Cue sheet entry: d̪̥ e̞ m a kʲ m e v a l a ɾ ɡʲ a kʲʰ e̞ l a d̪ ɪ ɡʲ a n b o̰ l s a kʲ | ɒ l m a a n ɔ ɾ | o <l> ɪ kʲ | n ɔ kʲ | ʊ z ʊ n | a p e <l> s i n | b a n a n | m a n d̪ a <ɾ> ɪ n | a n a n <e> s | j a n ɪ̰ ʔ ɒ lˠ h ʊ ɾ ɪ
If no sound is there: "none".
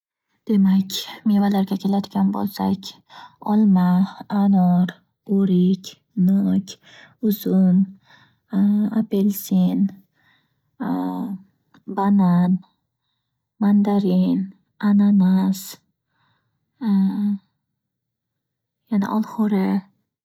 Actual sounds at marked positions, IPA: ɾ, l, ɾ, a

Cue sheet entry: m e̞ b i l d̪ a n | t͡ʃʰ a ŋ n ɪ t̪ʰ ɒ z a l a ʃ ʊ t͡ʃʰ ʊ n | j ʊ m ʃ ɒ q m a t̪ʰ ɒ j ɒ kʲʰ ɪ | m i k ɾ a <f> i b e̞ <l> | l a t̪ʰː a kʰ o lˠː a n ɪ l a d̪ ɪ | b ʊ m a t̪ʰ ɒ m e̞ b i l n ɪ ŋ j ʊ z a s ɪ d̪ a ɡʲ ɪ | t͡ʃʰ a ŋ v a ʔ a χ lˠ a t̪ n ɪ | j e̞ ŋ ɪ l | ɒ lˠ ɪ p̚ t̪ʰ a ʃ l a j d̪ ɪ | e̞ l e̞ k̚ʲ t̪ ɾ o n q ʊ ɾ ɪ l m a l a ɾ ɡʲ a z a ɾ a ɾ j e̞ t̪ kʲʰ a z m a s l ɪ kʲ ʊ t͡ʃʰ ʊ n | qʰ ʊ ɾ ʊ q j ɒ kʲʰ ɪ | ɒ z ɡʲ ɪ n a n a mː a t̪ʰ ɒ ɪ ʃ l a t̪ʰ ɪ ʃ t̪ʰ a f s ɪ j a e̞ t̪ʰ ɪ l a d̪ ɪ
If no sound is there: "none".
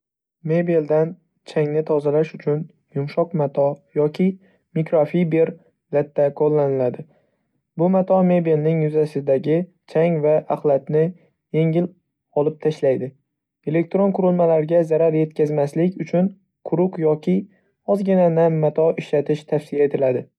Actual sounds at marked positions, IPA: f, ɾ

